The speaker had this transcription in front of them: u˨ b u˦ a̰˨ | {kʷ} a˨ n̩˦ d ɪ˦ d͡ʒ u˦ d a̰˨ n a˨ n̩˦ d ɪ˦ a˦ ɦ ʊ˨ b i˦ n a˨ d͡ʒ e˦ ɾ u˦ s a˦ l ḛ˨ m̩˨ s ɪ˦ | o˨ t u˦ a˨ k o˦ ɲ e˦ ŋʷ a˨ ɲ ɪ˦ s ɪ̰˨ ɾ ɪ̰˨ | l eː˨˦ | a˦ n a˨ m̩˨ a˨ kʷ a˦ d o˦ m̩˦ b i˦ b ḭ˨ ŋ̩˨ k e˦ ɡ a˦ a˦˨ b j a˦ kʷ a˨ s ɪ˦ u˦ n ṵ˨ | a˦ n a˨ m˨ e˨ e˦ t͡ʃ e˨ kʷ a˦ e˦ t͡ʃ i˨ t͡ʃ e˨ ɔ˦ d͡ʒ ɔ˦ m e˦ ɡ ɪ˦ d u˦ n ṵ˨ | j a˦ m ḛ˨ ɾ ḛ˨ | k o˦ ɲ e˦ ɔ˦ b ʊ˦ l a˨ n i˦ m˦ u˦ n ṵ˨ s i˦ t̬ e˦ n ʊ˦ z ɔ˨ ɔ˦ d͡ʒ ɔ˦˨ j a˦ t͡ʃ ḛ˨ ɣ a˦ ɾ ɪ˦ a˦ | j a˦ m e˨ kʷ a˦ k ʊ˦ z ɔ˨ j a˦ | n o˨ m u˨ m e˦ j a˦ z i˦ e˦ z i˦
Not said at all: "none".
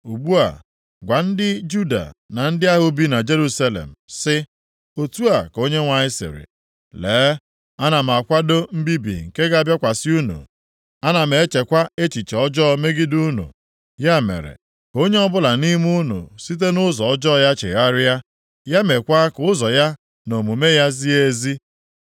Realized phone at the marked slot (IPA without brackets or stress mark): ɡʷ